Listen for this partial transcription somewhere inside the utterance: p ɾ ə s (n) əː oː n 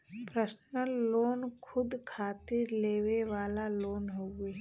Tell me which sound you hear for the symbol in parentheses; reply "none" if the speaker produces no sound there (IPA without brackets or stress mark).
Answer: n